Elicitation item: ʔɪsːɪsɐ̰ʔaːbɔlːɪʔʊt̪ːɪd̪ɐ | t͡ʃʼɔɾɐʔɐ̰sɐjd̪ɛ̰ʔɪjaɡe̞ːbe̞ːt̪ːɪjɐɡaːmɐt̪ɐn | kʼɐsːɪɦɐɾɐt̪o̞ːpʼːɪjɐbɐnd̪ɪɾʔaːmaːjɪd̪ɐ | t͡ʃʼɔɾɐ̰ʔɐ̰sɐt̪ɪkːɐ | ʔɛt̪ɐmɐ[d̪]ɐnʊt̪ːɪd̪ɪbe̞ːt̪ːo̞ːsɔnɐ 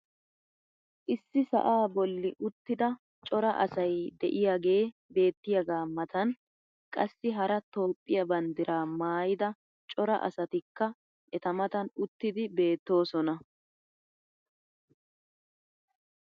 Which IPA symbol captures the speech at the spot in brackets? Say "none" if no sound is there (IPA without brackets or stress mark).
t̪